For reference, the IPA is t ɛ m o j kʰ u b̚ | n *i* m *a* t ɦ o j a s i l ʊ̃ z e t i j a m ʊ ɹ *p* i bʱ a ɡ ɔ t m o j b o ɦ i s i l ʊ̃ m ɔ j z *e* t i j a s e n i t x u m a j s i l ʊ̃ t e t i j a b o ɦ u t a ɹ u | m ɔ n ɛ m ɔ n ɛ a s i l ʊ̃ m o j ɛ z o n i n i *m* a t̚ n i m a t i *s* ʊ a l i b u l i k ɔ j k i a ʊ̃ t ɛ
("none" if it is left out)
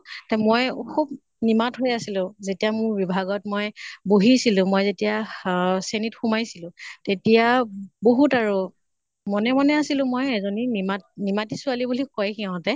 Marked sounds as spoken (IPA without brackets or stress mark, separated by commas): i, a, b, e, m, s